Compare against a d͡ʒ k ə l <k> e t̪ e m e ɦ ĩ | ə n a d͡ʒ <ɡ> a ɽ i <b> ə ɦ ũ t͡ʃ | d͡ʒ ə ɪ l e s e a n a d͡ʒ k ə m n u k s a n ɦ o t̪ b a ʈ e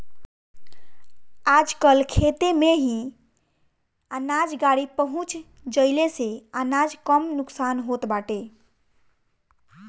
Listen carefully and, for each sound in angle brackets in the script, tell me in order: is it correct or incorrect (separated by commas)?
incorrect, correct, incorrect